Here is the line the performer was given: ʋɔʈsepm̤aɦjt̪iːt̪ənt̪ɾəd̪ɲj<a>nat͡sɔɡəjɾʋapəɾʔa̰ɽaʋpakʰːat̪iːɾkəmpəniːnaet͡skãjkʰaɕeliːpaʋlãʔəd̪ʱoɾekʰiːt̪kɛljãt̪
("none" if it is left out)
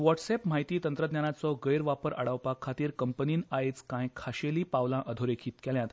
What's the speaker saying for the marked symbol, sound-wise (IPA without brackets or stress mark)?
a